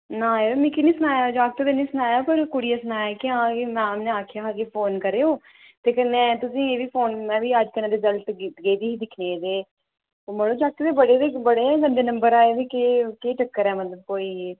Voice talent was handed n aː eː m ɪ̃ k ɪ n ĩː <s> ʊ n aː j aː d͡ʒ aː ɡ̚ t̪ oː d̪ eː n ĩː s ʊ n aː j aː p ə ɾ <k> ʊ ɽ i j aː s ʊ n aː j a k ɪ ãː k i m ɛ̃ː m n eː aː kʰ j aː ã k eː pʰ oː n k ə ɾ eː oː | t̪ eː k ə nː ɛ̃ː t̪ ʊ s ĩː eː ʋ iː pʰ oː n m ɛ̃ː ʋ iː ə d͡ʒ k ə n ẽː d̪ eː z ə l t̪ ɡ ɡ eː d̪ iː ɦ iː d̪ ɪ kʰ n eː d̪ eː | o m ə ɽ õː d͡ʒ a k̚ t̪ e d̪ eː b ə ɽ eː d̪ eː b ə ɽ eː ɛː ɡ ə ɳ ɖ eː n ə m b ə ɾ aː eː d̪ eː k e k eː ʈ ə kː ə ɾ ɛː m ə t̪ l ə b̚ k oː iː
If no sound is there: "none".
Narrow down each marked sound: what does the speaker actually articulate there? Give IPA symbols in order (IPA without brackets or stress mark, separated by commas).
s, k